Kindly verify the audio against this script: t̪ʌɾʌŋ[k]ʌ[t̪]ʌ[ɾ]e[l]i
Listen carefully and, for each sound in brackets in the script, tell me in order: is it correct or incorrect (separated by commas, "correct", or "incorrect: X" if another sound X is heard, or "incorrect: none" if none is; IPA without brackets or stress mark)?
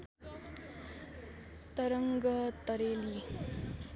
incorrect: ɡ, correct, correct, correct